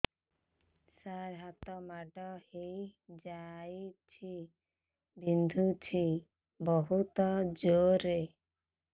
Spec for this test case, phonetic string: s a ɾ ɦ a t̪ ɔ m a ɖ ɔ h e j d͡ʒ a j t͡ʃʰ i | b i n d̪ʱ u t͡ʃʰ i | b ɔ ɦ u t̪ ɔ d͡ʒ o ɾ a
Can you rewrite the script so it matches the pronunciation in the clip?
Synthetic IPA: s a ɾ ɦ a t̪ ɔ m a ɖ ɔ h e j d͡ʒ a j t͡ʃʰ i | b i n d̪ʱ u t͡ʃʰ i | b ɔ ɦ u t̪ ɔ d͡ʒ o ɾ e

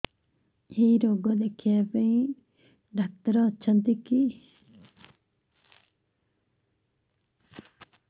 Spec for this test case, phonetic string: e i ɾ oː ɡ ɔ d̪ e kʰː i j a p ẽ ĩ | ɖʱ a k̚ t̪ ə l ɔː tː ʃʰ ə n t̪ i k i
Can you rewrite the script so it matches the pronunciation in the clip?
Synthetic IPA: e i ɾ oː ɡ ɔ d̪ e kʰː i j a p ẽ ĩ | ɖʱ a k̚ t̪ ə ɾ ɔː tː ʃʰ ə n t̪ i k i

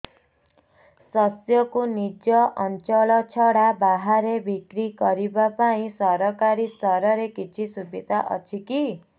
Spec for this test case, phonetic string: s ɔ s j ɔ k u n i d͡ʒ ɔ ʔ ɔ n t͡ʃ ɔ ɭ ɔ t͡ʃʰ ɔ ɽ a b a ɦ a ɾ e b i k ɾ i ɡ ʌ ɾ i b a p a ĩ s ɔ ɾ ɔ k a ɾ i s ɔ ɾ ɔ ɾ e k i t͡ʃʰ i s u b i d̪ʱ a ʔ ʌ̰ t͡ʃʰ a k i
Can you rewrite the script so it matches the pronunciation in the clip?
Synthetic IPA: s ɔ s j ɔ k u n i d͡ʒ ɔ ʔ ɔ n t͡ʃ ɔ ɭ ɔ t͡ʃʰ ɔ ɽ a b a ɦ a ɾ e b i k ɾ i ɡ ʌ ɾ i b a p a ĩ s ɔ ɾ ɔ k a ɾ i s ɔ ɾ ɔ ɾ e k i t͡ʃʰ i s u b i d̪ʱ a ʔ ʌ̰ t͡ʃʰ i k i

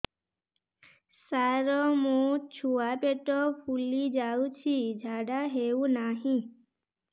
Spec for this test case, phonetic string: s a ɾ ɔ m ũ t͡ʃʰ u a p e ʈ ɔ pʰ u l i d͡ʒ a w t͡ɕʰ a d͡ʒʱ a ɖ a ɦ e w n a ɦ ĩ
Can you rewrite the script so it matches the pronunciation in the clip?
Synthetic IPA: s a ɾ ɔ m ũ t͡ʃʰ u a p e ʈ ɔ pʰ u l i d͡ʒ a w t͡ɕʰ i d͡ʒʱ a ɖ a ɦ e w n a ɦ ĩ

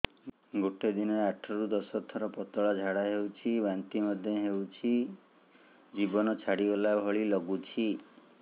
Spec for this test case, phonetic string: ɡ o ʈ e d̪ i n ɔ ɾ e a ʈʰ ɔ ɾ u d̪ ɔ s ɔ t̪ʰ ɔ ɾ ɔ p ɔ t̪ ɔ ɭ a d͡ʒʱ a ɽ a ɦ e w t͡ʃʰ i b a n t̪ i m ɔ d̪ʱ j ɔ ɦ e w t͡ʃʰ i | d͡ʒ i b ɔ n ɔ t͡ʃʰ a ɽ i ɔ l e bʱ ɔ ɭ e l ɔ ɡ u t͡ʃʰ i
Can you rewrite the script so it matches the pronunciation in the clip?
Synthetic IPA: ɡ o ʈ e d̪ i n ɔ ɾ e a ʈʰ ɔ ɾ u d̪ ɔ s ɔ t̪ʰ ɔ ɾ ɔ p ɔ t̪ ɔ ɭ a d͡ʒʱ a ɽ a ɦ e w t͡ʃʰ i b a n t̪ i m ɔ d̪ʱ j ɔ ɦ e w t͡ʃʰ i | d͡ʒ i b ɔ n ɔ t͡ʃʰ a ɽ i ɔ l a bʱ ɔ ɭ i l ɔ ɡ u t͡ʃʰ i

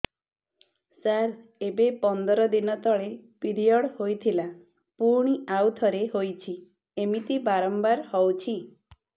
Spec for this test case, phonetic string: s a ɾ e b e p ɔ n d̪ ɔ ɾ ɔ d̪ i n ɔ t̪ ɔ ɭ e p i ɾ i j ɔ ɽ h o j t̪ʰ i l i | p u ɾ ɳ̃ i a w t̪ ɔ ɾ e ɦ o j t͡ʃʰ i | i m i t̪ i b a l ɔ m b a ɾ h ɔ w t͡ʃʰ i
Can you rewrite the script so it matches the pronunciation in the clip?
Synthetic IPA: s a ɾ e b e p ɔ n d̪ ɔ ɾ ɔ d̪ i n ɔ t̪ ɔ ɭ e p i ɾ i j ɔ ɽ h o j t̪ʰ i l a | p u ɾ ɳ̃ i a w t̪ʰ ɔ ɾ e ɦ o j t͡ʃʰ i | e m i t̪ i b a ɾ ɔ m b a ɾ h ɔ w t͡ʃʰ i

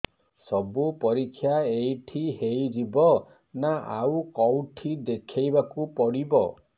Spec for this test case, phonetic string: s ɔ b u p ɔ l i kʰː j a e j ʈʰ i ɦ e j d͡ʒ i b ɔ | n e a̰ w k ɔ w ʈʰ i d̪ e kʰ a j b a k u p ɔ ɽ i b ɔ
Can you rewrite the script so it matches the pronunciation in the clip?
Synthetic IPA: s ɔ b u p ɔ ɾ i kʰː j a e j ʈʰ i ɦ e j d͡ʒ i b ɔ | n a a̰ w k ɔ w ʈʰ i d̪ e kʰ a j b a k u p ɔ ɽ i b ɔ

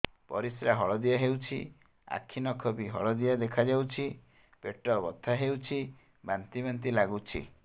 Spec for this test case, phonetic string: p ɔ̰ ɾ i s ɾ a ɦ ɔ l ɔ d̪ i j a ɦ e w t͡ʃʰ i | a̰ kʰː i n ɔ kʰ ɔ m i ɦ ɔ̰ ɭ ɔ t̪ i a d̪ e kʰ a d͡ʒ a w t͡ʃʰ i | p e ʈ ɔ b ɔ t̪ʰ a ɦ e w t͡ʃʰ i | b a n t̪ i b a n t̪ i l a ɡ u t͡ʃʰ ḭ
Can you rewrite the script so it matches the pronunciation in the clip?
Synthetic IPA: p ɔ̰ ɾ i s ɾ a ɦ ɔ ɭ ɔ d̪ i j a ɦ e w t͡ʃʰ i | a̰ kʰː i n ɔ kʰ ɔ b i ɦ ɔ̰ ɭ ɔ d̪ i a d̪ e kʰ a d͡ʒ a w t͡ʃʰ i | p e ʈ ɔ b ɔ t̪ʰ a ɦ e w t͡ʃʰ i | b a n t̪ i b a n t̪ i l a ɡ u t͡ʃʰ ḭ

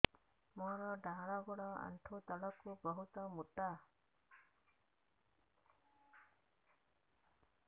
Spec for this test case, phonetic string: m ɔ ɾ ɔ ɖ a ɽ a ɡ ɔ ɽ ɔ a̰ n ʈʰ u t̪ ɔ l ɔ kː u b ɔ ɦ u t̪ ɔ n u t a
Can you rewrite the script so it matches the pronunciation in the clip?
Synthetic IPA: m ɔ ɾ ɔ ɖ a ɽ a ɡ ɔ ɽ ɔ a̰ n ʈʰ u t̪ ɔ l ɔ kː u b ɔ ɦ u t̪ ɔ m u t a

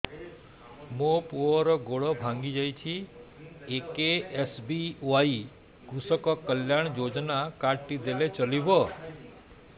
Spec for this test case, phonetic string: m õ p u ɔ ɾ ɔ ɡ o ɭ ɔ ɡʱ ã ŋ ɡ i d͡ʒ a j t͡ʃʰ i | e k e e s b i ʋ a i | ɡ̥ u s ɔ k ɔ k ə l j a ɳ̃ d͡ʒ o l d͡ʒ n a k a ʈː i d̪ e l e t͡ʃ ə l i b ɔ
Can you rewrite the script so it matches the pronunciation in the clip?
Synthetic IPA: m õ p u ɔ ɾ ɔ ɡ o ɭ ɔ bʱ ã ŋ ɡ i d͡ʒ a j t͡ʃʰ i | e k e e s b i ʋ a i | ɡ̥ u s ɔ k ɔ k ə l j a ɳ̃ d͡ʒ o d͡ʒ n a k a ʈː i d̪ e l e t͡ʃ ə l i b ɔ

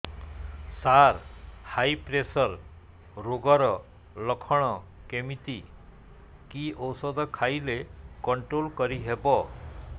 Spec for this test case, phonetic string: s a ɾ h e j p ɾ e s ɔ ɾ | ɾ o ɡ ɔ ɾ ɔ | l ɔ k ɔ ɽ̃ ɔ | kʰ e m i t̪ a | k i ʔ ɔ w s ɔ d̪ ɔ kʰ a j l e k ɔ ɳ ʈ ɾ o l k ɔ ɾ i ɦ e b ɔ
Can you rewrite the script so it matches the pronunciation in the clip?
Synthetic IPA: s a ɾ h a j p ɾ e s ɔ ɾ | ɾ o ɡ ɔ ɾ ɔ | l ɔ kʰ ɔ ɽ̃ ɔ | k e m i t̪ i | k i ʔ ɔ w s ɔ d̪ ɔ kʰ a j l e k ɔ ɳ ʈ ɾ o l k ɔ ɾ i ɦ e b ɔ

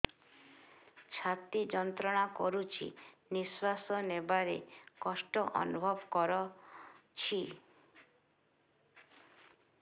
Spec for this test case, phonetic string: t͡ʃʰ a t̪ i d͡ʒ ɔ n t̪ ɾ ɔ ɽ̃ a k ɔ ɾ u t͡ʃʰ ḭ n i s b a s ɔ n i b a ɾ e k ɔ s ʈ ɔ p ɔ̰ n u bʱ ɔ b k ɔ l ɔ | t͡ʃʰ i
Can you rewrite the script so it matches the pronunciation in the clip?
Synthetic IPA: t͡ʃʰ a t̪ i d͡ʒ ɔ n t̪ ɾ ɔ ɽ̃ a k ɔ ɾ u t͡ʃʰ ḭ n i s w a s ɔ n e b a ɾ e k ɔ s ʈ ɔ ʔ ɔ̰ n u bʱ ɔ b k ɔ ɾ ɔ | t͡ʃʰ i

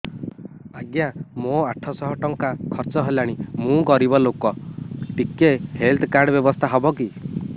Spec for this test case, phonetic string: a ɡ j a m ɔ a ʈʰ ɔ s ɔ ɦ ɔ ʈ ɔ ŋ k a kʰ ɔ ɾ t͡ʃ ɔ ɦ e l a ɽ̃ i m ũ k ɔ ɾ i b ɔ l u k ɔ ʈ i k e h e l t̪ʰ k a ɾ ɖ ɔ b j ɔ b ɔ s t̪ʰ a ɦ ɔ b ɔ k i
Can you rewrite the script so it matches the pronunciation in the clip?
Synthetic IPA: a ɡ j a m o a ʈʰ ɔ s ɔ ɦ ɔ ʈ ɔ ŋ k a kʰ ɔ ɾ t͡ʃ ɔ ɦ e l a ɽ̃ i m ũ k ɔ ɾ i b ɔ l o k ɔ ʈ i k e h e l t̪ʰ k a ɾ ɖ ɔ b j ɔ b ɔ s t̪ʰ a ɦ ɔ b ɔ k i

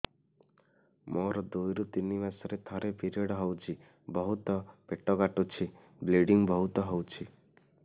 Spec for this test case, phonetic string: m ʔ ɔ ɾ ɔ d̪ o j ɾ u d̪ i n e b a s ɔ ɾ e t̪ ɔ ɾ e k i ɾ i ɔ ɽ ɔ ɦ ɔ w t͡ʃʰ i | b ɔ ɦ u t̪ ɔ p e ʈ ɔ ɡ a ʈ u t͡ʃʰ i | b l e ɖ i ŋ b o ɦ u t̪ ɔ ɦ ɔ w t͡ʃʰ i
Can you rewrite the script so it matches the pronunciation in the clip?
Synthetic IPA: m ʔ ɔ ɾ ɔ d̪ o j ɾ u t̪ i n i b a s ɔ ɾ e t̪ʰ ɔ ɾ e p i ɾ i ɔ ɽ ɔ ɦ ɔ w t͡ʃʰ i | b ɔ ɦ u t̪ ɔ p e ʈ ɔ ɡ a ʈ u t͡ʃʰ i | b l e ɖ i ŋ b ɔ ɦ u t̪ ɔ ɦ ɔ w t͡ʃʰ i

